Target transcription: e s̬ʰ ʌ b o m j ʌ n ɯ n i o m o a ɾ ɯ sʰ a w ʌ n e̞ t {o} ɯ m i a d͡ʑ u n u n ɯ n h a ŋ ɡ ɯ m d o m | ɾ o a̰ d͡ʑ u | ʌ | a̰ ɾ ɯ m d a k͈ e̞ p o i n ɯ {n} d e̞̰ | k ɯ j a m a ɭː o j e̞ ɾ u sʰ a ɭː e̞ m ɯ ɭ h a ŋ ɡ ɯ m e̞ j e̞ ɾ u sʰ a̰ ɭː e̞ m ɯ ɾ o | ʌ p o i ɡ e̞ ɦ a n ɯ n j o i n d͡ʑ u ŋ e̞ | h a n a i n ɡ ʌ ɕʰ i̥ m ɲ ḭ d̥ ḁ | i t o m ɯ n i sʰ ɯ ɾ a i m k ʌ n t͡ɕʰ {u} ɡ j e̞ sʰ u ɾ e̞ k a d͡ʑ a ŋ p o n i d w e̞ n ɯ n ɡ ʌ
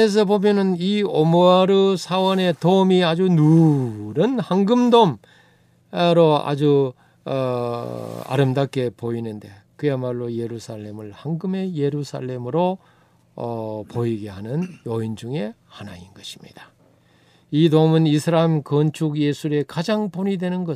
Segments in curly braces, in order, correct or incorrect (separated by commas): correct, correct, correct